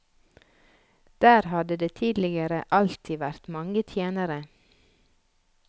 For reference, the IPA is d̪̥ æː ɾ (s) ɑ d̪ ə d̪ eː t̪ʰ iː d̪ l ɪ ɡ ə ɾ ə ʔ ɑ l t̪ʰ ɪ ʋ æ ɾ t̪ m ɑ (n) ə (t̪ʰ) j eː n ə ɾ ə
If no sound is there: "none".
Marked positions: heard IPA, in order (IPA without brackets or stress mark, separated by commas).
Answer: h, ŋ, t̪ʰ